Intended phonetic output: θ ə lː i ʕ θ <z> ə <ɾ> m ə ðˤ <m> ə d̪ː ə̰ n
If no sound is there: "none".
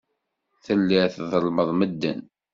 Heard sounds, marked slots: ð, l, m

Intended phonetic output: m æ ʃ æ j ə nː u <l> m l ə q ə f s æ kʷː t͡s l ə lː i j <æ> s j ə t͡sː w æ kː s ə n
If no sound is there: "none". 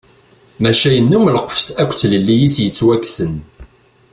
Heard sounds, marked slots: none, i

